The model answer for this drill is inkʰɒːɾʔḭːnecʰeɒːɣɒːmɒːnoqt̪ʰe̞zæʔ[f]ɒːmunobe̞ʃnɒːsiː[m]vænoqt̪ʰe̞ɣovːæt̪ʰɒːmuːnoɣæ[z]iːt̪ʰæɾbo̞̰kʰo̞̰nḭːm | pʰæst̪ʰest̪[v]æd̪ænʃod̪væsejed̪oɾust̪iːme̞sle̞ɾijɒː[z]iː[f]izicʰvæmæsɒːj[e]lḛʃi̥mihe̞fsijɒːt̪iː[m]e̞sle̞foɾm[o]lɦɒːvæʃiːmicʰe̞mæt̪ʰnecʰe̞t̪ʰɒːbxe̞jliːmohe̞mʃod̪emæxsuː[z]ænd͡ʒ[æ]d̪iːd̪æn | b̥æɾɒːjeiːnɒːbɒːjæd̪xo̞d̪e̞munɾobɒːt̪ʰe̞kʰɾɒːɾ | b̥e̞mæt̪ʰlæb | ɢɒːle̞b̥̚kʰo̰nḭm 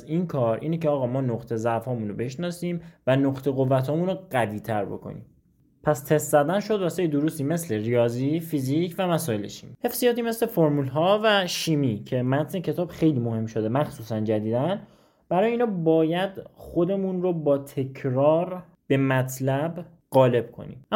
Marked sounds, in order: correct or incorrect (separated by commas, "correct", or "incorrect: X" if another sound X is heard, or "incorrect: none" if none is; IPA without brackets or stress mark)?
correct, correct, incorrect: v, incorrect: z, correct, correct, correct, correct, incorrect: u, incorrect: s, correct